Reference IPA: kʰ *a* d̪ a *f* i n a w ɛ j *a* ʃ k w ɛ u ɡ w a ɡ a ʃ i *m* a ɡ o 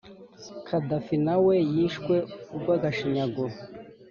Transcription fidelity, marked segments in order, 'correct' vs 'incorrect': correct, correct, incorrect: i, incorrect: ɲ

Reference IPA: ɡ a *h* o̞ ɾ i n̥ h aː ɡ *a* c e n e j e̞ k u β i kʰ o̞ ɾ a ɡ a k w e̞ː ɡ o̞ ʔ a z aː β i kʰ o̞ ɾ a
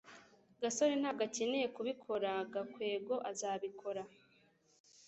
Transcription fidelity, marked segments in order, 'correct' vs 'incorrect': incorrect: s, correct

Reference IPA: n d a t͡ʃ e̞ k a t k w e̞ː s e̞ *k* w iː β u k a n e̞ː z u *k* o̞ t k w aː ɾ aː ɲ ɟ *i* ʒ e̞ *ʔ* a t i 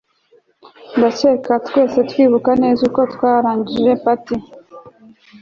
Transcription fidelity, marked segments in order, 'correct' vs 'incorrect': incorrect: t, correct, correct, incorrect: p

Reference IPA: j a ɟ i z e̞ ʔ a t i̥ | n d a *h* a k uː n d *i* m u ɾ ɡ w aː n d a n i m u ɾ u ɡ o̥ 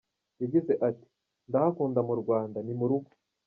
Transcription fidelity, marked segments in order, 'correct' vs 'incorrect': correct, incorrect: a

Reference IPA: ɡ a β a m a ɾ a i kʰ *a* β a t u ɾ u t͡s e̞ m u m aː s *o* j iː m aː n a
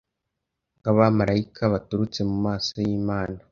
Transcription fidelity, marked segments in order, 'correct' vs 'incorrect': correct, correct

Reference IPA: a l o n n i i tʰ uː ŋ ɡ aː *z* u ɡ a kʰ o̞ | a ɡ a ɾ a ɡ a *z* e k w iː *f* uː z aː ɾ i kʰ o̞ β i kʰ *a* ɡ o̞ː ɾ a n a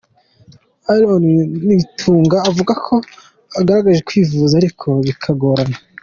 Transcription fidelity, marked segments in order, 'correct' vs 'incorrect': incorrect: v, incorrect: ʒ, incorrect: v, correct

